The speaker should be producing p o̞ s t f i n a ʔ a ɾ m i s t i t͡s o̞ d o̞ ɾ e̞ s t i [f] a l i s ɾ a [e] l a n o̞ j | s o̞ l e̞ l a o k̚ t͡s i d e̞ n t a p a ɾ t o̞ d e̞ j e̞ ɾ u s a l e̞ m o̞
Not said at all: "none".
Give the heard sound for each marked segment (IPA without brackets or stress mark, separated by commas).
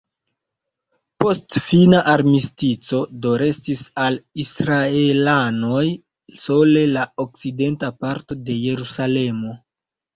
s, e